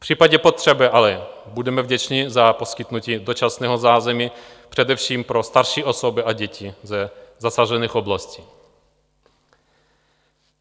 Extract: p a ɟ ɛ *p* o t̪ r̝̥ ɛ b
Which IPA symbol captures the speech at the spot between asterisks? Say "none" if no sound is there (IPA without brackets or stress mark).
p